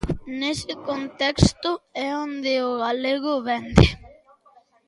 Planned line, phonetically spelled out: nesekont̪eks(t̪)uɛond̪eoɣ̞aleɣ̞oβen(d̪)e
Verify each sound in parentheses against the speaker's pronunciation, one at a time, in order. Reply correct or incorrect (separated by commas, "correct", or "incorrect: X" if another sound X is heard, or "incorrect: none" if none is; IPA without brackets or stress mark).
correct, correct